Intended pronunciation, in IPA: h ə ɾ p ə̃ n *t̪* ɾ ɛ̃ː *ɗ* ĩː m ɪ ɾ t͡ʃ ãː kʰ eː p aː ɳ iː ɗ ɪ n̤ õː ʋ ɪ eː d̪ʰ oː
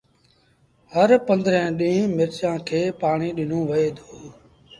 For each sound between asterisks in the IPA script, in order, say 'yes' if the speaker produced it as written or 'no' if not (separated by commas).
no, yes